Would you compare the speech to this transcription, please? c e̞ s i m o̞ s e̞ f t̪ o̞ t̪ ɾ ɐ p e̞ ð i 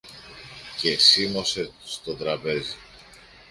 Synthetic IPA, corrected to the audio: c e̞ s i m o̞ s e̞ s t̪ o̞ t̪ ɾ ɐ p e̞ z i